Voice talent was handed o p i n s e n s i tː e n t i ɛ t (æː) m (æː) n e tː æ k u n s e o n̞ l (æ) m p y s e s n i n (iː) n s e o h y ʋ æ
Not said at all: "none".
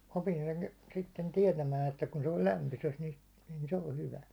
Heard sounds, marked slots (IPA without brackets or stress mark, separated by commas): æ, æː, æ, i